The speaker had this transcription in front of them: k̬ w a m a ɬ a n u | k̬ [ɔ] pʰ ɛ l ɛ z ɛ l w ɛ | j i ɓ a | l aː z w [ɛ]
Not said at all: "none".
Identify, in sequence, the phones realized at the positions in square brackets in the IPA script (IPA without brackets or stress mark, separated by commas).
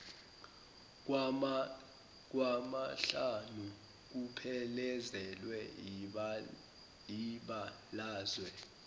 u, ɛ